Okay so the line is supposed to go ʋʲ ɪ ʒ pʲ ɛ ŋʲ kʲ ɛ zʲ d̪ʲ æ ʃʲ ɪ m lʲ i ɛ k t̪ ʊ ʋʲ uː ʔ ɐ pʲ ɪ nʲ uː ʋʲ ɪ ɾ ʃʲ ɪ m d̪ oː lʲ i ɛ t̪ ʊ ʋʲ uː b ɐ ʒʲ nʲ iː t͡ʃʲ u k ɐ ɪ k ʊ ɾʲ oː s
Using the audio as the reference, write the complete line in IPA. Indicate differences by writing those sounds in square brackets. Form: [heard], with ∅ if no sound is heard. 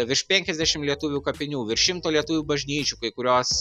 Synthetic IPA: ʋʲ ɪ [ʃ] pʲ ɛ ŋʲ kʲ ɛ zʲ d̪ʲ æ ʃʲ ɪ m lʲ i ɛ [∅] t̪ ʊ ʋʲ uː [k] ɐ pʲ ɪ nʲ uː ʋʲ ɪ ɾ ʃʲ ɪ m [t̪] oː lʲ i ɛ t̪ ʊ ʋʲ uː b ɐ ʒʲ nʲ iː t͡ʃʲ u k ɐ ɪ k ʊ ɾʲ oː s